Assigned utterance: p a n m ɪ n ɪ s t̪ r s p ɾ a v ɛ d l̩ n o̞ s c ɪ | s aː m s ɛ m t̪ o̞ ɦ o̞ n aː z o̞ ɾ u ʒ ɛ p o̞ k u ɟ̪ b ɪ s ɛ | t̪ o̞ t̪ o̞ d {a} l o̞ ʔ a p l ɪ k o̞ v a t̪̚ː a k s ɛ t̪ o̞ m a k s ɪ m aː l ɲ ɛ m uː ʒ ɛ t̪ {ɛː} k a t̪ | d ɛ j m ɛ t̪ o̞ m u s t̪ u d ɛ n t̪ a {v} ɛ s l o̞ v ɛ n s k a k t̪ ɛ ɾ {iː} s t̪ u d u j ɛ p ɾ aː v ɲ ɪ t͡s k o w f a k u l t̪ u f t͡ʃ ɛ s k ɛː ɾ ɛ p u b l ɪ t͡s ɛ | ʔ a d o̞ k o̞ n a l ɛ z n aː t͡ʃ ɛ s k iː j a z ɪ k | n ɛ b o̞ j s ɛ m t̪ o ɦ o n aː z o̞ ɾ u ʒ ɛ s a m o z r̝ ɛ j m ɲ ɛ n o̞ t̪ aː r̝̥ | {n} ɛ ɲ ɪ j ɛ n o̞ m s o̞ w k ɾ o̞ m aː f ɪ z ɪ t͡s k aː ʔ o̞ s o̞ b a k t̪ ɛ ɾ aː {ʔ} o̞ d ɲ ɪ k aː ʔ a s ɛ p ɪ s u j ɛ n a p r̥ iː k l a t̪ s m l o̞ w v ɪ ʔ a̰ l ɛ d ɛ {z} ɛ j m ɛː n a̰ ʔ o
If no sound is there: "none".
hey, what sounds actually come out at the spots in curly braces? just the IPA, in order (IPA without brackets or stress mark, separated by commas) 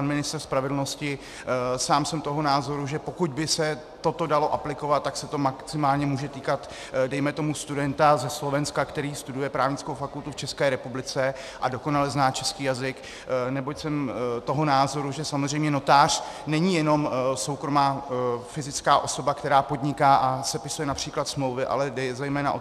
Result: a, iː, z, iː, n, p, z